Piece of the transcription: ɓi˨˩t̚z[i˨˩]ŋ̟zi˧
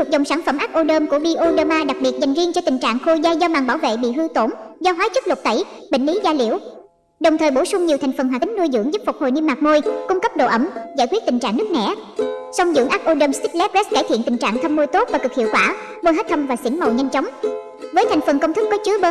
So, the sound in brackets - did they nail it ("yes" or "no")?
no